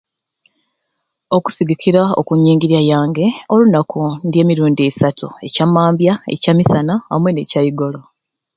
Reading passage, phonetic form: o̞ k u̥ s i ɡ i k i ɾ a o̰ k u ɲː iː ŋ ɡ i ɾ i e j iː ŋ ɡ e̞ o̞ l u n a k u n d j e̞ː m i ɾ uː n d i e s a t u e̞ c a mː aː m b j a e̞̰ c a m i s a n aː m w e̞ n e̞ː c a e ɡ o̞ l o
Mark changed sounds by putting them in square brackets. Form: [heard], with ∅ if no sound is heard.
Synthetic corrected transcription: o̞ k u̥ s i ɡ i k i ɾ a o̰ k u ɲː iː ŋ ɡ i ɾ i [a] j [aː] ŋ ɡ e̞ o̞ l u n a k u n d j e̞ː m i ɾ uː n d i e s a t u e̞ c a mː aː m b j a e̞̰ c a m i s a n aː m w e̞ n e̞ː c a [i] ɡ o̞ l o